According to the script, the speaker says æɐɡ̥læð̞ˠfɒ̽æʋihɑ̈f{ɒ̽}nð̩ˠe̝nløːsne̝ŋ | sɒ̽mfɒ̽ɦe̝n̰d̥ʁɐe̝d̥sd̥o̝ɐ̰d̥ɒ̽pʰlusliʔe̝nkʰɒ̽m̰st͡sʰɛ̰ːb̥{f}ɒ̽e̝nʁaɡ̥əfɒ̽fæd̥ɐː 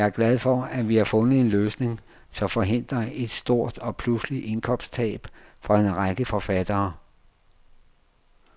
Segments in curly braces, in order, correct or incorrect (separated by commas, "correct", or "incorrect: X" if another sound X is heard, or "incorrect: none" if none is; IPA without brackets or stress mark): incorrect: ɔ̽, correct